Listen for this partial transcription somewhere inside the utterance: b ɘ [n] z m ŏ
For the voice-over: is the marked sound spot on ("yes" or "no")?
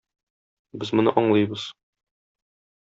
no